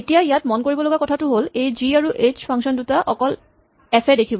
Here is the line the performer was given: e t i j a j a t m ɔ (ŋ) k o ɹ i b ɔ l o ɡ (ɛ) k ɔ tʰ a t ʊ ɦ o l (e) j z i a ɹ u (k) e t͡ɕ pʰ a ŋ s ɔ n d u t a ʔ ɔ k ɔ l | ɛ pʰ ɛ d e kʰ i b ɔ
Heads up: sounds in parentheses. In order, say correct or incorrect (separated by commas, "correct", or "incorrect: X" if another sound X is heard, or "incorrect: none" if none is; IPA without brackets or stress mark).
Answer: incorrect: n, incorrect: a, correct, incorrect: ʔ